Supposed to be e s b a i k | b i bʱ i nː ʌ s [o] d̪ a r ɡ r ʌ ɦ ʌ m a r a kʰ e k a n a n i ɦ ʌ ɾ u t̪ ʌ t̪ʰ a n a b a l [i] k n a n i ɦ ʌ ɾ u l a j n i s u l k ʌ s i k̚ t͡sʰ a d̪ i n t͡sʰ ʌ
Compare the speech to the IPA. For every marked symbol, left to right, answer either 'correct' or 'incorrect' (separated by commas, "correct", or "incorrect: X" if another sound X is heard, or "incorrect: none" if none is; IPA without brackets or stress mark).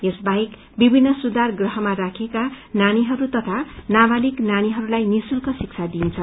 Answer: incorrect: u, correct